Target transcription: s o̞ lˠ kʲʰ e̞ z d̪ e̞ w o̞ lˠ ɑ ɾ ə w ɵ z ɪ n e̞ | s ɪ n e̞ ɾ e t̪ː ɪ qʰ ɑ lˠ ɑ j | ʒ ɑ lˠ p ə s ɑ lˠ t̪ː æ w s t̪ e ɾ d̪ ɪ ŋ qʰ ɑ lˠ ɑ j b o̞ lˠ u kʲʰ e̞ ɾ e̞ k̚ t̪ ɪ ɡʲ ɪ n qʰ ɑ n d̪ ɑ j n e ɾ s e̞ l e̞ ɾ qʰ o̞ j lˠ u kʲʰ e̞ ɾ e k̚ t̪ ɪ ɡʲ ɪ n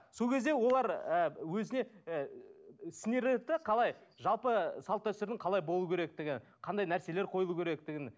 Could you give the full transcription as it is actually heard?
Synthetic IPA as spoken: s o̞ lˠ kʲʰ e̞ z d̪ e̞ w o̞ lˠ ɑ ɾ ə w ɵ z ɪ n e̞ | s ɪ n e̞ ɾ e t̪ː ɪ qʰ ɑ lˠ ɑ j | ʒ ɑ lˠ p ə s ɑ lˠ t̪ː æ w s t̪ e ɾ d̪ ɪ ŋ qʰ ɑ lˠ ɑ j b o̞ lˠ u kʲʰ e̞ ɾ e̞ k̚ t̪ ɪ ɡʲ ɪ n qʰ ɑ n d̪ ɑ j n æ ɾ s e̞ l e̞ ɾ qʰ o̞ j lˠ u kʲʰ e̞ ɾ e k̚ t̪ ɪ ɡʲ ɪ n